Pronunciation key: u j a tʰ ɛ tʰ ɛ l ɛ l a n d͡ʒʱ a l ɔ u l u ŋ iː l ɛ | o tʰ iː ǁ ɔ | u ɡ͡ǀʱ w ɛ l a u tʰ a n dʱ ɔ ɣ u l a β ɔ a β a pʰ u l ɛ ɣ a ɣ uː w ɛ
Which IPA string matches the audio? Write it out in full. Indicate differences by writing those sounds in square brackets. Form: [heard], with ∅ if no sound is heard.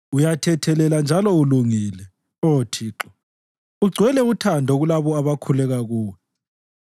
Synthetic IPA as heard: u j a tʰ ɛ tʰ ɛ l ɛ l a n d͡ʒʱ a l ɔ u l u ŋ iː l ɛ | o tʰ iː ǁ ɔ | u ɡ͡ǀʱ w ɛ l [ɛ] u tʰ a n dʱ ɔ ɣ u l a β ɔ a β a [kʰ] u l ɛ ɣ a ɣ uː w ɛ